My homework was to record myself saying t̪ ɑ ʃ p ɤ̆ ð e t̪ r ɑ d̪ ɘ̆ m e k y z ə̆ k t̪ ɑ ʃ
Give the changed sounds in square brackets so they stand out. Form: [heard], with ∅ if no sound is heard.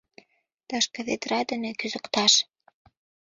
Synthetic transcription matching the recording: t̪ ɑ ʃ [k] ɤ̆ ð e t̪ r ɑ d̪ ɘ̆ [n] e k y z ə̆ k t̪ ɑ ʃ